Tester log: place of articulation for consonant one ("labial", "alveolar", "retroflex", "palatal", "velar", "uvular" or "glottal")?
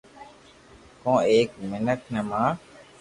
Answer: velar